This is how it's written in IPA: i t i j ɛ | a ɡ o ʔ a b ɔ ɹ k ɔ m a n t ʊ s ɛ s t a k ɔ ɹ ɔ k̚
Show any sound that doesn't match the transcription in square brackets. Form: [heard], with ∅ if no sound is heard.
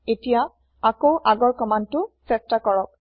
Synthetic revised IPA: [e] t i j [a] | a [k] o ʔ a [ɡ] ɔ ɹ k ɔ m a n t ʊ s ɛ s t a k ɔ ɹ ɔ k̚